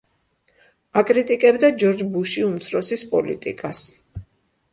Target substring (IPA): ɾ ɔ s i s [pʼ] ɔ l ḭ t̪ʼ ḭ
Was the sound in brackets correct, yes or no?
yes